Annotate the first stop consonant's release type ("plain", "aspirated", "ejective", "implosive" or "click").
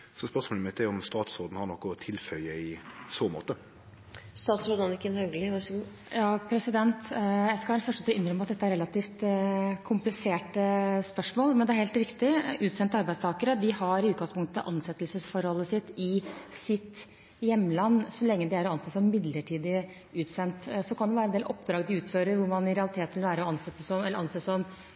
plain